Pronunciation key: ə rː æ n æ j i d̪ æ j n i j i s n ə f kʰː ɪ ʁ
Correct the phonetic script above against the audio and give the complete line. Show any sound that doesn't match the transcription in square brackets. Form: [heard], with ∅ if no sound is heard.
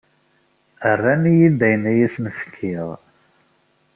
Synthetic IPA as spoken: ə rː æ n [i] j i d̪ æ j n [æ] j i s n ə f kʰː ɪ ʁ

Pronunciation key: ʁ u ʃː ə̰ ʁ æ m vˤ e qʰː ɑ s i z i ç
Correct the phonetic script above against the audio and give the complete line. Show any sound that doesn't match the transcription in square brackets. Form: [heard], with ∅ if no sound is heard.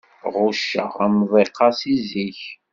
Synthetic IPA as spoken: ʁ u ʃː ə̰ ʁ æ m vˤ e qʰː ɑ s i z i ç

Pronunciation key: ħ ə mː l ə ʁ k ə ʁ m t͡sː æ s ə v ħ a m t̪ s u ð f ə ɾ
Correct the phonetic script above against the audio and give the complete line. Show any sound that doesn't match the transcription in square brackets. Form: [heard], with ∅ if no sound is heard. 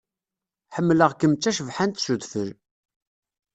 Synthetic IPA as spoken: ħ ə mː l ə ʁ k ə [∅] m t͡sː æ [ʃ] ə v ħ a [n] t̪ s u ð f ə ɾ

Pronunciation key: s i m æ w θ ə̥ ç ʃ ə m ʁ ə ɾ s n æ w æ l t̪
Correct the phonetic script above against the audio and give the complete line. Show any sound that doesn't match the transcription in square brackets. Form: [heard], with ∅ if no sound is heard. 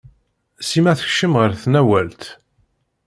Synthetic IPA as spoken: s i m æ [∅] θ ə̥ ç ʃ ə m ʁ ə ɾ [θ] n æ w æ l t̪

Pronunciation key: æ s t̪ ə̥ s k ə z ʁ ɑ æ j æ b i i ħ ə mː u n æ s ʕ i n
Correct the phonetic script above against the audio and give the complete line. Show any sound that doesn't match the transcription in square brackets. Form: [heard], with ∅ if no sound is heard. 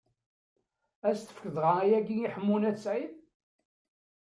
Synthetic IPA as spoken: æ s t̪ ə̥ [f] k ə [ð] ʁ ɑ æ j æ [ɡ] i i ħ ə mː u n æ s ʕ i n

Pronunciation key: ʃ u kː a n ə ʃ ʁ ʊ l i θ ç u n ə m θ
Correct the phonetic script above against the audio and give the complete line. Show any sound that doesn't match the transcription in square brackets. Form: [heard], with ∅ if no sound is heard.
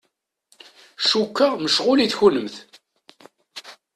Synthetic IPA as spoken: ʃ u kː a [m] ə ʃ ʁ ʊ l i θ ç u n ə m θ

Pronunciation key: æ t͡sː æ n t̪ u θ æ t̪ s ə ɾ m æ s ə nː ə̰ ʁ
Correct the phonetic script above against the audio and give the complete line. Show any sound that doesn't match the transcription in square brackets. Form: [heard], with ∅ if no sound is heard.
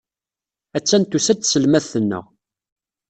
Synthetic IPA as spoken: æ t͡sː æ n t̪ u [s] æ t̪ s ə [l] m æ [θ] ə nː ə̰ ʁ

